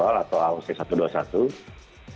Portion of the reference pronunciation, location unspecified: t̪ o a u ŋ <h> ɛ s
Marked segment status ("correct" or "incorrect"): incorrect